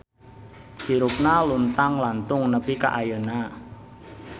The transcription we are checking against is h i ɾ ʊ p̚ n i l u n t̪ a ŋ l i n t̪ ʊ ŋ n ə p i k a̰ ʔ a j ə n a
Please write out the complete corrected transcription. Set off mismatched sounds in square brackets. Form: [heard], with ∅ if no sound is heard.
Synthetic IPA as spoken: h i ɾ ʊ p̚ n [a] l u n t̪ a ŋ l [a] n t̪ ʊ ŋ n ə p i k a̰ ʔ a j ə n a